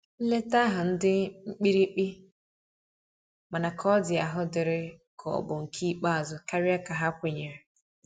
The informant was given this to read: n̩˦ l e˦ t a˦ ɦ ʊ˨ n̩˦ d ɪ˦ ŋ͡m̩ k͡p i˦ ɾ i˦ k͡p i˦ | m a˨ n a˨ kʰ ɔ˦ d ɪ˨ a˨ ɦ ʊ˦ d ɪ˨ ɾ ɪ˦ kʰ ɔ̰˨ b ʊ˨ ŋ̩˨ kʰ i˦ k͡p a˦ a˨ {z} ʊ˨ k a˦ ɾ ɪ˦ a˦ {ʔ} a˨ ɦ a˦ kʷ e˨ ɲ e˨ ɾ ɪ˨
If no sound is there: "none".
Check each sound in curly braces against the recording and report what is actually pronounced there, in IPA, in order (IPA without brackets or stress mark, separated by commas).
z, k